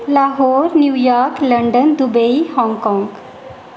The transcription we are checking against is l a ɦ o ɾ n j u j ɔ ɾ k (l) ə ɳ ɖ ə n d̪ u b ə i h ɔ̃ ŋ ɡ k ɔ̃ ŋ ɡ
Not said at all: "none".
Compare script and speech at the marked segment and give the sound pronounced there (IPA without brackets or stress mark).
l